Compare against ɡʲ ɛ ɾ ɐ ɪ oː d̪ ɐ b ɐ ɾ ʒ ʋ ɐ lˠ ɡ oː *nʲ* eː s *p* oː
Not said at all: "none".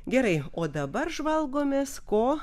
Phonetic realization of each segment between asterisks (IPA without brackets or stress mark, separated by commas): mʲ, k